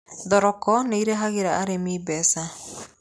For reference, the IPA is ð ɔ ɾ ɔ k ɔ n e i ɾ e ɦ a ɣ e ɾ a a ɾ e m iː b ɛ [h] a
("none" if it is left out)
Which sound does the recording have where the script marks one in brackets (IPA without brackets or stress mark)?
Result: s